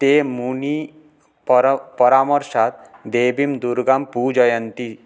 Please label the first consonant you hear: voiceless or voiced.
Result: voiceless